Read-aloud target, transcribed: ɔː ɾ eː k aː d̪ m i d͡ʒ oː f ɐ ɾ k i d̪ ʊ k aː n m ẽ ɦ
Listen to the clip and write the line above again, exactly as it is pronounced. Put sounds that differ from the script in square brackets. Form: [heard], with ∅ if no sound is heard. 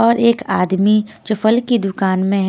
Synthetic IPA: ɔː ɾ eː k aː d̪ m i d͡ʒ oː f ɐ [l] k i d̪ ʊ k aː n m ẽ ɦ

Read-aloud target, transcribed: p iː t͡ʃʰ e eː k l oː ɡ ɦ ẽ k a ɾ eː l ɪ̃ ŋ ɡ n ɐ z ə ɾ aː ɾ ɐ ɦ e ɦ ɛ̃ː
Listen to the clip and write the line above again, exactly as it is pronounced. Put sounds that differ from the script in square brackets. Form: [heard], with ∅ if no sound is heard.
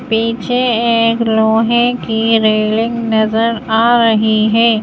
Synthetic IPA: p iː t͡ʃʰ e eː k l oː [∅] ɦ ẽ k [i] ɾ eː l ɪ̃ ŋ ɡ n ɐ z ə ɾ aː ɾ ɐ ɦ [i] ɦ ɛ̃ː

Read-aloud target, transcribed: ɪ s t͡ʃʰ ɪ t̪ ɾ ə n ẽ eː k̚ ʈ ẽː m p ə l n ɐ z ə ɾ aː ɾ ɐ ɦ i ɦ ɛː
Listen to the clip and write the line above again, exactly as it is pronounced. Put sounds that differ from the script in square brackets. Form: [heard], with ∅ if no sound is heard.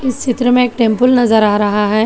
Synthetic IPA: ɪ s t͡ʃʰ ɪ t̪ ɾ ə [m] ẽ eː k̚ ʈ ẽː m p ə l n ɐ z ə ɾ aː ɾ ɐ ɦ [a] ɦ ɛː

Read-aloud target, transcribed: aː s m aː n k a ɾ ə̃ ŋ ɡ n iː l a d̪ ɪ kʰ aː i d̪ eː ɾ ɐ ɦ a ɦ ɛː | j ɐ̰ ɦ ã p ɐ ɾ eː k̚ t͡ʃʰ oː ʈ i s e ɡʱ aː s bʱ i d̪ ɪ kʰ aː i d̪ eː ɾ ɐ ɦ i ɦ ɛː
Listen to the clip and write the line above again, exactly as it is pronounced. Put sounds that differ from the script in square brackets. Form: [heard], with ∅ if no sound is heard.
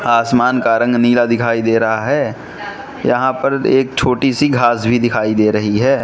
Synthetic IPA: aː s m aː n k a ɾ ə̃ ŋ ɡ n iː l a d̪ ɪ kʰ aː i d̪ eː ɾ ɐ ɦ a ɦ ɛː | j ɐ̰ ɦ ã p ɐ ɾ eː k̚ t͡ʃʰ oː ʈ i s [i] ɡʱ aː s bʱ i d̪ ɪ kʰ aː i d̪ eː ɾ ɐ ɦ i ɦ ɛː

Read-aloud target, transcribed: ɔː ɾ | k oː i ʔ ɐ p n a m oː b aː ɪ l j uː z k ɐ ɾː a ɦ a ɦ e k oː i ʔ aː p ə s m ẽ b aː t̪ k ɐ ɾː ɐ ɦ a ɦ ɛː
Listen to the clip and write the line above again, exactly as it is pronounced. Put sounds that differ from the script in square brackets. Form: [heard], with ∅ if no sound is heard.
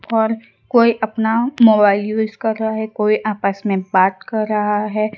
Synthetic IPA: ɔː ɾ | k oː i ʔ ɐ p n a m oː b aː ɪ l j uː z k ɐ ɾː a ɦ a ɦ [ɛ] k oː i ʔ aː p ə s m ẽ b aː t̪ k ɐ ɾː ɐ ɦ a ɦ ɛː

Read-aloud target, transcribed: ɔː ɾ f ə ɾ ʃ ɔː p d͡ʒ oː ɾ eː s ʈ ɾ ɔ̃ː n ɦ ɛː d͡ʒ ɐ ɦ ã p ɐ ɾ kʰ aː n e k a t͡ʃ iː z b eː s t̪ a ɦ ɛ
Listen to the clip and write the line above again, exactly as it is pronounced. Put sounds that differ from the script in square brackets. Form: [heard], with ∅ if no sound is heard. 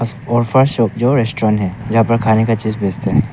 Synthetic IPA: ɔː ɾ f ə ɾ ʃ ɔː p d͡ʒ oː ɾ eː s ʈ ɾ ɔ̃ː n ɦ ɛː d͡ʒ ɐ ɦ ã p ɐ ɾ kʰ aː n e k a t͡ʃ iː z b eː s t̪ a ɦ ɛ

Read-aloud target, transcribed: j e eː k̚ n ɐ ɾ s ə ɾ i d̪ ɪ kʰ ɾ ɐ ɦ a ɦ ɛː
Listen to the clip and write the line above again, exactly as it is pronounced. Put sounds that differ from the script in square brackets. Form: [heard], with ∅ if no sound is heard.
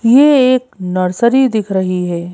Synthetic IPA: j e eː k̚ n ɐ ɾ s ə ɾ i d̪ ɪ kʰ ɾ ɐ ɦ [i] ɦ ɛː

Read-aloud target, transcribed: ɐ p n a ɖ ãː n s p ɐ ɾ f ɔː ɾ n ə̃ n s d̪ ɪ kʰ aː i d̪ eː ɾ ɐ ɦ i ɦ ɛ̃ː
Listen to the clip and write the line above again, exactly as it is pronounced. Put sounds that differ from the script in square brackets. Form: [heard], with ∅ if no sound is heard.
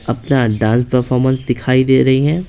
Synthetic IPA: ɐ p n a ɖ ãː n s p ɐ ɾ f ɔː ɾ [m] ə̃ n s d̪ ɪ kʰ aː i d̪ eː ɾ ɐ ɦ i ɦ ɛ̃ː

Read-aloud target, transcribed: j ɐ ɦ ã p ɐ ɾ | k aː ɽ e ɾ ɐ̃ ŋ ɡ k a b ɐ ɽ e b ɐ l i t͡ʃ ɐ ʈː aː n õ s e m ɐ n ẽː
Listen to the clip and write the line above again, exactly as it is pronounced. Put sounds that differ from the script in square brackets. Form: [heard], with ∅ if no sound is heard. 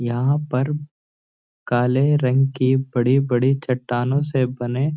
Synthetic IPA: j ɐ ɦ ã p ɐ ɾ | k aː [l] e ɾ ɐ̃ ŋ ɡ k [i] b ɐ ɽ [i] b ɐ [ɽ] i t͡ʃ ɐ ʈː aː n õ s e [b] ɐ n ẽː

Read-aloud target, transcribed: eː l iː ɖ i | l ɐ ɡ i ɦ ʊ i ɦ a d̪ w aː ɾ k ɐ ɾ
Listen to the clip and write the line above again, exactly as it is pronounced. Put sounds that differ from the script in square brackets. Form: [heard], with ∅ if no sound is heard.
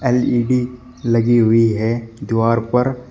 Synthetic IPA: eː l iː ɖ i | l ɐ ɡ i ɦ ʊ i ɦ [ɛ] d̪ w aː ɾ [p] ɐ ɾ

